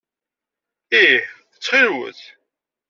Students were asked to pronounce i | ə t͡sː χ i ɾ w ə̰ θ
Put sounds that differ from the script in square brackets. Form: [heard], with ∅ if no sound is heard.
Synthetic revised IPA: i | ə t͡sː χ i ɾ w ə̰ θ